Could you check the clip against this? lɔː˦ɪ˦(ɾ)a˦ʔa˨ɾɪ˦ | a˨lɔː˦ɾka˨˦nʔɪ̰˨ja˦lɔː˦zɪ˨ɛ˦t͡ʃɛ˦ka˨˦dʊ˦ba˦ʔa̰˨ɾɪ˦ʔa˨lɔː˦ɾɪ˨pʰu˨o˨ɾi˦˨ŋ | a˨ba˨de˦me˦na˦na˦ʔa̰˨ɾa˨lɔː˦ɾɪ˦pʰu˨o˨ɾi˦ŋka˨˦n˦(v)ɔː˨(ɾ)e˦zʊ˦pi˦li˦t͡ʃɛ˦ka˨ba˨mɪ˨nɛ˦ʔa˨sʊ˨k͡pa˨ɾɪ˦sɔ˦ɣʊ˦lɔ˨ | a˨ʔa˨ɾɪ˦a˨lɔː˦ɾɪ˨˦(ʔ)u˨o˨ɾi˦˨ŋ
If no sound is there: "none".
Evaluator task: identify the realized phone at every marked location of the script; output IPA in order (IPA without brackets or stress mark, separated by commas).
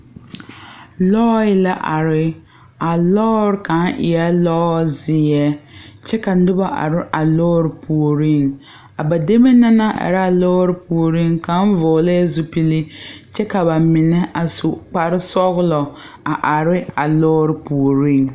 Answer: l, v, l, p